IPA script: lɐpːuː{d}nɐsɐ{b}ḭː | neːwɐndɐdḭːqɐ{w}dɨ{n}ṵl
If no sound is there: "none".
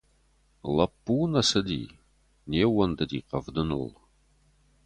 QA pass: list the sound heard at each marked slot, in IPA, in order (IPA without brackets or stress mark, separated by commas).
none, d, v, n